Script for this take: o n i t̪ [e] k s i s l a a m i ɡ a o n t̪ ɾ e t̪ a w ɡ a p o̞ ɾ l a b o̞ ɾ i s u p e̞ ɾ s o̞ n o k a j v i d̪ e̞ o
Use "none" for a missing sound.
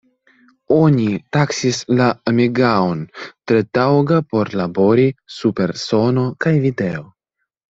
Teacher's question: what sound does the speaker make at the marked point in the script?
a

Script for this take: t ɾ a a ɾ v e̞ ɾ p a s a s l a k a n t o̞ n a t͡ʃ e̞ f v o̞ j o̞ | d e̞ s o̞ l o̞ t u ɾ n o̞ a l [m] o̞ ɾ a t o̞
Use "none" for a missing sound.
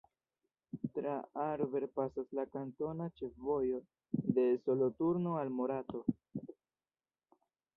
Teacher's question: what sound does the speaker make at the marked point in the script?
m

